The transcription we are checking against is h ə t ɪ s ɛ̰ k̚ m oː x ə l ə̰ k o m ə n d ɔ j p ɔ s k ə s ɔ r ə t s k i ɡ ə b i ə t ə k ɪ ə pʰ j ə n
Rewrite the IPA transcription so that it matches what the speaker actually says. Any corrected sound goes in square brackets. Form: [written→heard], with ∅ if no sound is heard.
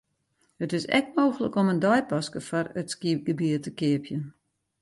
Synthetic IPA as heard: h ə t ɪ s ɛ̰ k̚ m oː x ə l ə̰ k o m ə n d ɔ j p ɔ s k ə [s→f] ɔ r ə t s k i ɡ ə b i ə t ə k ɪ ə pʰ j ə n